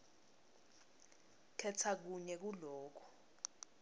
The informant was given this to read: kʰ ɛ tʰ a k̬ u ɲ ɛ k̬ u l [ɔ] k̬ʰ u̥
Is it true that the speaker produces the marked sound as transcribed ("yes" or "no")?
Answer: no